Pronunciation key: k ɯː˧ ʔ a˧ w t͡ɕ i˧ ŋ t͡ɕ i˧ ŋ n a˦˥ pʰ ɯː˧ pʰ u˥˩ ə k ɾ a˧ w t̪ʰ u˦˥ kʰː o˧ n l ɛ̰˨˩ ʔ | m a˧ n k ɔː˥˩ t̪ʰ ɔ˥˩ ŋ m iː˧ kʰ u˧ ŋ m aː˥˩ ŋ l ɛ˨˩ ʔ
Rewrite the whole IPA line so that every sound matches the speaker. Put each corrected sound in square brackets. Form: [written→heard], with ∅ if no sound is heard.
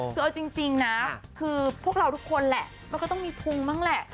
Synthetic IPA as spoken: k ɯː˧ ʔ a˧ w t͡ɕ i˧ ŋ t͡ɕ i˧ ŋ n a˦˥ [pʰ→kʰ] ɯː˧ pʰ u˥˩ ə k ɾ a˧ w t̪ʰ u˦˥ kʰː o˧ n l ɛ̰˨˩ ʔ | m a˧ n k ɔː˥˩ [t̪ʰ→t̪] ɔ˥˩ ŋ m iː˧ [kʰ→pʰ] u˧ ŋ m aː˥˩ ŋ l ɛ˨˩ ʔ